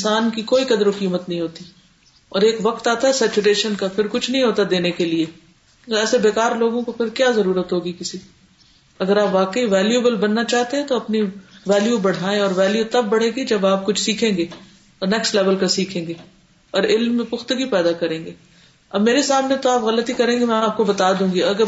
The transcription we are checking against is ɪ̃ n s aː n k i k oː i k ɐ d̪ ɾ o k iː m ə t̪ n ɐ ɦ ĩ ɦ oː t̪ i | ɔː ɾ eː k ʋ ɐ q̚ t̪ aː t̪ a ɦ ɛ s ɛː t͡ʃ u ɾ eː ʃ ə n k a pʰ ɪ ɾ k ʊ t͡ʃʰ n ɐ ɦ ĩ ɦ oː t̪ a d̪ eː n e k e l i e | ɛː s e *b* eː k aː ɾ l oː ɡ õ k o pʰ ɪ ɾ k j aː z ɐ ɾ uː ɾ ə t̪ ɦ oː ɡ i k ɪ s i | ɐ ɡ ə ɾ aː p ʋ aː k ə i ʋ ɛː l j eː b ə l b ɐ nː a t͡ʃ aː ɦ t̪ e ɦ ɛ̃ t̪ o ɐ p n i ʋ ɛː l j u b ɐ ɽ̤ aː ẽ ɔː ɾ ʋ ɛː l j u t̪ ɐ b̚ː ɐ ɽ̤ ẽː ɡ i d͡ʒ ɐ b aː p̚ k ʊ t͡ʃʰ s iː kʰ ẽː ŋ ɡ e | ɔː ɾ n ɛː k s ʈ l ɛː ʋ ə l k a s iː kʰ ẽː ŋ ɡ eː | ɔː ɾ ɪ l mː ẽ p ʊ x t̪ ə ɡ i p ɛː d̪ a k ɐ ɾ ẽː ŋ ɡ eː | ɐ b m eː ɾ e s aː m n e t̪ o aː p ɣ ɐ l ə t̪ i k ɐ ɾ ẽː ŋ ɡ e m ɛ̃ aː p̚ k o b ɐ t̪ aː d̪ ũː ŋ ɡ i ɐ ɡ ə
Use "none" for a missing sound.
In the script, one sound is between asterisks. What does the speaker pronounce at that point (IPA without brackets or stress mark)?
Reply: b